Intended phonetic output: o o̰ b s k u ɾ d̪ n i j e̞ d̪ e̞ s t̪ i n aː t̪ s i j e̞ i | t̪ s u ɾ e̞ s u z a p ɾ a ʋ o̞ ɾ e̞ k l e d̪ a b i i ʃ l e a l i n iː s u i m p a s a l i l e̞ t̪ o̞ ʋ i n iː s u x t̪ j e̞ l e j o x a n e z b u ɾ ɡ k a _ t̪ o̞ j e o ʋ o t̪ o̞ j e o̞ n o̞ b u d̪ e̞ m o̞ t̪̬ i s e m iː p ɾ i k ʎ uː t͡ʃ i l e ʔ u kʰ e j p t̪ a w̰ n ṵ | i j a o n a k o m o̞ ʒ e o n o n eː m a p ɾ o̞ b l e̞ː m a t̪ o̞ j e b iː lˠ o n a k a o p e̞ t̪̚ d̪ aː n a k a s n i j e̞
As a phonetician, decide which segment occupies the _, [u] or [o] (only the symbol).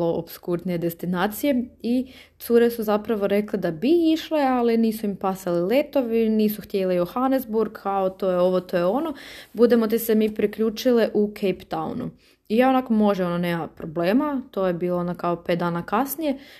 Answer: o